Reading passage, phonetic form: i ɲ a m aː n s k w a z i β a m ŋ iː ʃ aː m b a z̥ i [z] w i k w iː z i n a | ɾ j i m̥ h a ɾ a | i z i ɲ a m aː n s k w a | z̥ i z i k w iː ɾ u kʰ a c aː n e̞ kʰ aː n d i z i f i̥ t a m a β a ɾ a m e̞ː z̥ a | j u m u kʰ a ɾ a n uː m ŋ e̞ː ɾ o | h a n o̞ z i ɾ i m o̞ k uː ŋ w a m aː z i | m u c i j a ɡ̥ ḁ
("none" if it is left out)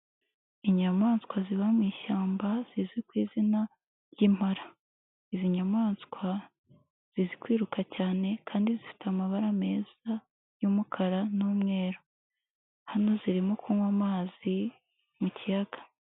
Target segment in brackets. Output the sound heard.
z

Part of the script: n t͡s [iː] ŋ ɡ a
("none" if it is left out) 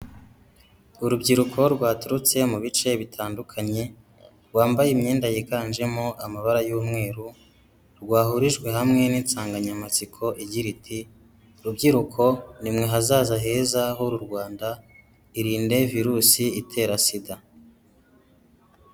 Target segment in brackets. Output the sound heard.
aː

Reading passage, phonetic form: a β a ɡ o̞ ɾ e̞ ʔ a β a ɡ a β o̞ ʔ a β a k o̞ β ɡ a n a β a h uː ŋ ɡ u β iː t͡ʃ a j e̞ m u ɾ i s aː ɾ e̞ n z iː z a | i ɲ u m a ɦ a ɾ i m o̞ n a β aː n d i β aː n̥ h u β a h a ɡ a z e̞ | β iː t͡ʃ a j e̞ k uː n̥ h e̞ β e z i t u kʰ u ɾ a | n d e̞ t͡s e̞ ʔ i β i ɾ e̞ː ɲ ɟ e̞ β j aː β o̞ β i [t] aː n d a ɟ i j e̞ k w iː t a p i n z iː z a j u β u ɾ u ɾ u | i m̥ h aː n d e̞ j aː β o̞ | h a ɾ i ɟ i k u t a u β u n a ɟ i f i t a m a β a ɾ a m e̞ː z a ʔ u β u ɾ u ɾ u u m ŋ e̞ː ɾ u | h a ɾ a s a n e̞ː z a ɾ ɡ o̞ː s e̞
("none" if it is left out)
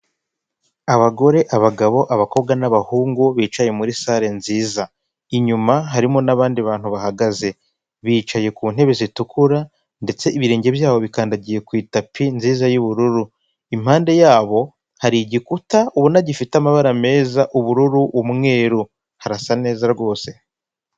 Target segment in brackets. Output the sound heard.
k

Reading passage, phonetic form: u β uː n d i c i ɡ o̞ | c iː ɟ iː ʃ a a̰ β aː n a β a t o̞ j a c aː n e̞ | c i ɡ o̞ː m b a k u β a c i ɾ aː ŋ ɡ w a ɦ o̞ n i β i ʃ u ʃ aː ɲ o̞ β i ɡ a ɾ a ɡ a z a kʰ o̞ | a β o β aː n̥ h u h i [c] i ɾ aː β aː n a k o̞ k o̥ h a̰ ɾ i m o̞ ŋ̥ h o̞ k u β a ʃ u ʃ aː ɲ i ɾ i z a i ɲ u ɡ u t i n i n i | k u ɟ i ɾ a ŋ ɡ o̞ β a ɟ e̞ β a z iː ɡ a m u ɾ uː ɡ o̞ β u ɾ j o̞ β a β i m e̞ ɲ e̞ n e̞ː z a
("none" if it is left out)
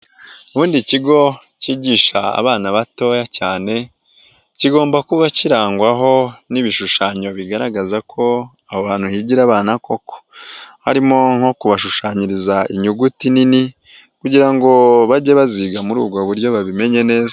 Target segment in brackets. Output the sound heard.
ɟ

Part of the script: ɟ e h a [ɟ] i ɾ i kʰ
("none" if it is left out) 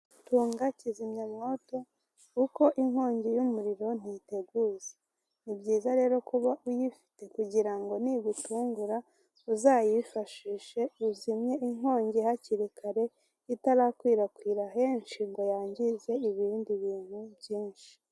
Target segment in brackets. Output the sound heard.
c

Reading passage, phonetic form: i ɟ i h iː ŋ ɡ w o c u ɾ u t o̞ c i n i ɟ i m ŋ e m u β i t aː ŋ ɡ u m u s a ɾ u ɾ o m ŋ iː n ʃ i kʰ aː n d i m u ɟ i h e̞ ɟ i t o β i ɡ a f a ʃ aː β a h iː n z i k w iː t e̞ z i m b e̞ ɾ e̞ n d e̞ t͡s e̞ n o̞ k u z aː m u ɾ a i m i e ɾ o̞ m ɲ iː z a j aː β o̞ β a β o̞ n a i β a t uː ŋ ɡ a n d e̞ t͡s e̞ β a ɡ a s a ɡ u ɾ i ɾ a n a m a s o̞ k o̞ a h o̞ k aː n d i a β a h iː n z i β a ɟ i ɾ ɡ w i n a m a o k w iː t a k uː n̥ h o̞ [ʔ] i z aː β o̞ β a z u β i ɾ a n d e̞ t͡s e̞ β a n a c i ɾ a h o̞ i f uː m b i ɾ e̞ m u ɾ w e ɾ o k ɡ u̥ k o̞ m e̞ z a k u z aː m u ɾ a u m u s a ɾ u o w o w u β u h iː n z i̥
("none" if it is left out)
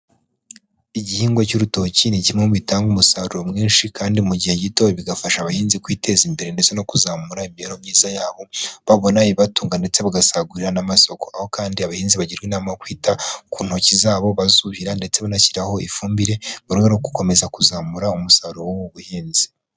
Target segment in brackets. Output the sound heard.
c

